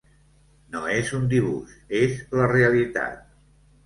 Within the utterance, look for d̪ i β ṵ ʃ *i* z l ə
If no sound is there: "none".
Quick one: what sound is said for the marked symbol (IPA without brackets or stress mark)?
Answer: e